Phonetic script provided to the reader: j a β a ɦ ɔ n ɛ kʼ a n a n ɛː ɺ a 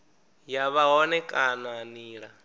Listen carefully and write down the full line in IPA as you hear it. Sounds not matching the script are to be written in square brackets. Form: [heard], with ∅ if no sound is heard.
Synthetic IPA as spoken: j a β a ɦ ɔ n ɛ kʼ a n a n [iː] ɺ a